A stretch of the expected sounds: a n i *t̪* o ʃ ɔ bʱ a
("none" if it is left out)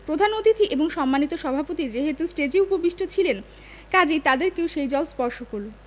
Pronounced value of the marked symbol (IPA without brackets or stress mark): t̪